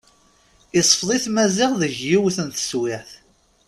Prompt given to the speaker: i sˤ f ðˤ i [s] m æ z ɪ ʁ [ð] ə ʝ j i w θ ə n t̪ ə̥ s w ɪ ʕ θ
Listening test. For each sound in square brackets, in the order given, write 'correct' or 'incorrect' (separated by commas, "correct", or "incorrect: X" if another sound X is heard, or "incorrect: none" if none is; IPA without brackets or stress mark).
incorrect: θ, correct